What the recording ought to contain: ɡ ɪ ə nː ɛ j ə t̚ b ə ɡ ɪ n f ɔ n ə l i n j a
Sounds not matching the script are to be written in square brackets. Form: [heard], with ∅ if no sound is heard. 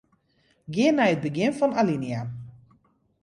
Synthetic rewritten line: ɡ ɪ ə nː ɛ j ə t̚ b ə ɡ ɪ n f ɔ n [a] l i n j a